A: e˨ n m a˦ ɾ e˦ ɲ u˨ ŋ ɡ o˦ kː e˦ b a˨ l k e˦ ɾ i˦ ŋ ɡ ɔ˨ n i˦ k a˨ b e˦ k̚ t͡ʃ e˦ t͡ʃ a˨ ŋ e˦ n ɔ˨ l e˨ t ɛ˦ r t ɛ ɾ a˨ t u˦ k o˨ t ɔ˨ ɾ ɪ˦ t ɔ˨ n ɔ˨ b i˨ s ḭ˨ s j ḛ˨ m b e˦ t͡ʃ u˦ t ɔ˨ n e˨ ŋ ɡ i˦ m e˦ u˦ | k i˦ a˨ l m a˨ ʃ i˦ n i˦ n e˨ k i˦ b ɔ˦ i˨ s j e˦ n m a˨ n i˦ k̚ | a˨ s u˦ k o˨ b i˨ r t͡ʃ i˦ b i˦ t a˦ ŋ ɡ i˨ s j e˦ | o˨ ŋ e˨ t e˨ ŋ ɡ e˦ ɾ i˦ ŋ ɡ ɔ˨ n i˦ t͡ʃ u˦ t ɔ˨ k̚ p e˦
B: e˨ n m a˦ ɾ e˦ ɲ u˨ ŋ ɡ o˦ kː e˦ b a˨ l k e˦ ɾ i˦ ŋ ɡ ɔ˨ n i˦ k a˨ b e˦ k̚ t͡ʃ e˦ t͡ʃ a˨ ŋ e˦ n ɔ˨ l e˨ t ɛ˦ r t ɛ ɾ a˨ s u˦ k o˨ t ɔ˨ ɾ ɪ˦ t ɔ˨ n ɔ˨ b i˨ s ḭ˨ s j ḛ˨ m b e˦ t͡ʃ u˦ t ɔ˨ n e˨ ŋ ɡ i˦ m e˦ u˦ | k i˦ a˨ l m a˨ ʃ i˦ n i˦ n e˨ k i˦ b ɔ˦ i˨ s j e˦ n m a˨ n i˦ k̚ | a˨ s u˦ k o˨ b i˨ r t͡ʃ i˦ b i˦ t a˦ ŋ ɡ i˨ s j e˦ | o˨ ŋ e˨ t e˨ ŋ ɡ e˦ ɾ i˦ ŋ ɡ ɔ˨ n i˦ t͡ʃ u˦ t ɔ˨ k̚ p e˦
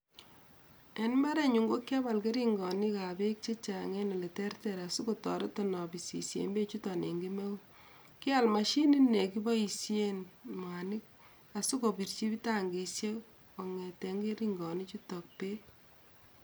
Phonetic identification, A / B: B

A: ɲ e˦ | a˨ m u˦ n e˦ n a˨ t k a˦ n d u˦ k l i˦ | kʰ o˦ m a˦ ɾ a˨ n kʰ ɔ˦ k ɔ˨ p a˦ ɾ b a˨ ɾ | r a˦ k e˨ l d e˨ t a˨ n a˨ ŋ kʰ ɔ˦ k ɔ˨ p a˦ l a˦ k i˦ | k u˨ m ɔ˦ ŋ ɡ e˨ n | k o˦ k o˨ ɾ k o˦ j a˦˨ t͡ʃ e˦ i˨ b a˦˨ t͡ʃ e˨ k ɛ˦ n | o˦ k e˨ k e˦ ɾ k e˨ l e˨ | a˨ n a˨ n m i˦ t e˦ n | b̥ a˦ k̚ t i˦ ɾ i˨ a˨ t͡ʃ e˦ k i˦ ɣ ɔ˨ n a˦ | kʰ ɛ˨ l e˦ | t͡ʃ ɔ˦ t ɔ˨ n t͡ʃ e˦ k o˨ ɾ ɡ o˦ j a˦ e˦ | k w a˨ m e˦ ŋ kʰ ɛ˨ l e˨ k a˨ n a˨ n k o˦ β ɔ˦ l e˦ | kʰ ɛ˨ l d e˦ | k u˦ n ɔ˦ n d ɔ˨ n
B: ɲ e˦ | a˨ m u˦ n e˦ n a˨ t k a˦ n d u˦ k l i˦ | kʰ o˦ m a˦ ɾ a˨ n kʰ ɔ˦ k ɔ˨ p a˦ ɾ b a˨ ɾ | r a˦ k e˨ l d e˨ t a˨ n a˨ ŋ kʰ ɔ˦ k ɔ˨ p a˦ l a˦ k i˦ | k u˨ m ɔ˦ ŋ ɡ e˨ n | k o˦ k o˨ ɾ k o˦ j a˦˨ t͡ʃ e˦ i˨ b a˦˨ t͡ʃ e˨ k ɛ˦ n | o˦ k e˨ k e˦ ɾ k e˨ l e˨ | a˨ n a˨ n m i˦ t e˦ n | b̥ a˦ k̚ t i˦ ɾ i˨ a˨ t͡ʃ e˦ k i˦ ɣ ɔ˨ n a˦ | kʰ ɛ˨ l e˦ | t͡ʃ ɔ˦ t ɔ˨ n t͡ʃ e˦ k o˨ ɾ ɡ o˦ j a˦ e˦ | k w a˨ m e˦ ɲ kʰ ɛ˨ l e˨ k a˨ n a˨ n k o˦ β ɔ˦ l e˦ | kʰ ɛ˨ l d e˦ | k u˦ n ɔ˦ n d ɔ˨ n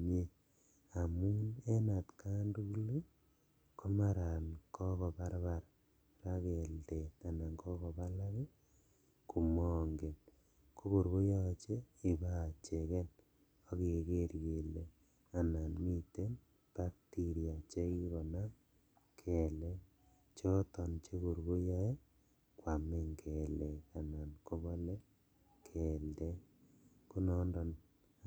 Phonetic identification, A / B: A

